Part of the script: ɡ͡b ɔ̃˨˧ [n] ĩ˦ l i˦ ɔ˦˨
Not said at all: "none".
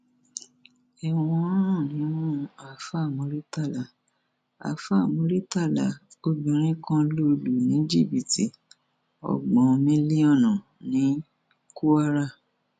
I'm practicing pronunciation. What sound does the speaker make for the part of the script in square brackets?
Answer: m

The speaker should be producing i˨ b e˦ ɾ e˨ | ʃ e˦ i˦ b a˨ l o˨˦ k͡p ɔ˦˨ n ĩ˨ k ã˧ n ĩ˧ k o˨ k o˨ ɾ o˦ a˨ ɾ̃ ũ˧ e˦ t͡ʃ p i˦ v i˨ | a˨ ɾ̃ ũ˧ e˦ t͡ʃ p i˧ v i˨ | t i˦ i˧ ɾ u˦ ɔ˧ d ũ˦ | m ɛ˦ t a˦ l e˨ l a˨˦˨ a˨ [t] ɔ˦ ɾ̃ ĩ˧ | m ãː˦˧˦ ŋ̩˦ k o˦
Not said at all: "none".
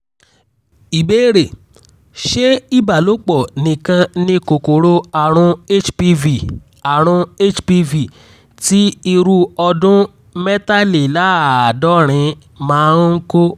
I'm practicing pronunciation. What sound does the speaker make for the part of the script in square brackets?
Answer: d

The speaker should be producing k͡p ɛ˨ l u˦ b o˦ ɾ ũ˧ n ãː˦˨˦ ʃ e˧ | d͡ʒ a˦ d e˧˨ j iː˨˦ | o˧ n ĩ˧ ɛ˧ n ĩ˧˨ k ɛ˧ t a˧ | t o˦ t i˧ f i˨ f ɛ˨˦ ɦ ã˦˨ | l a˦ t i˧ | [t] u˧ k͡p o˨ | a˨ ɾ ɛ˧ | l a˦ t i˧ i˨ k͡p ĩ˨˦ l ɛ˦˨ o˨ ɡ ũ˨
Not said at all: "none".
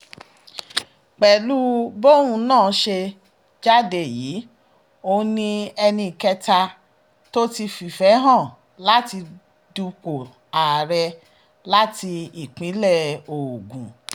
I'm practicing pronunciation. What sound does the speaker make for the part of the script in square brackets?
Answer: d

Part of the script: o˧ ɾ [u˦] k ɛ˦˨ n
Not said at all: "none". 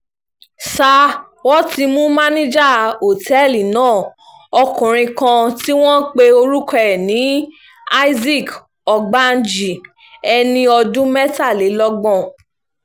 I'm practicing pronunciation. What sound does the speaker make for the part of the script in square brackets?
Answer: u˦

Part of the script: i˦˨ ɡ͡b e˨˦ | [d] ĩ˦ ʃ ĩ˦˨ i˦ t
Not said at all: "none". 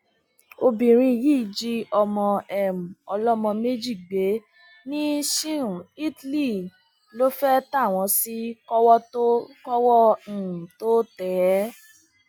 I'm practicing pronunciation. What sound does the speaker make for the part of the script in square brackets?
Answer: n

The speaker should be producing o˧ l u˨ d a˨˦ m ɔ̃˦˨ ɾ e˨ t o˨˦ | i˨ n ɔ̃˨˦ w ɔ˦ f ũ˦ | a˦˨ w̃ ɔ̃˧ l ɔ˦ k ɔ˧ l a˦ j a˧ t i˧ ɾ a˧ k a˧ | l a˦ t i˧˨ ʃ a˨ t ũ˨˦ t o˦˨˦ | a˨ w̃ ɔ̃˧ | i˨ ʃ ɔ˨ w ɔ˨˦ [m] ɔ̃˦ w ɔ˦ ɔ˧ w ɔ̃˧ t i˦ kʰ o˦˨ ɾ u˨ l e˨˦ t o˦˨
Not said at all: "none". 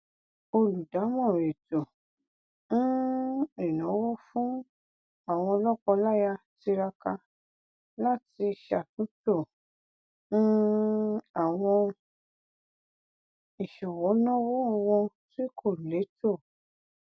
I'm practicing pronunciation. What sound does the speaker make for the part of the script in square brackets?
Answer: n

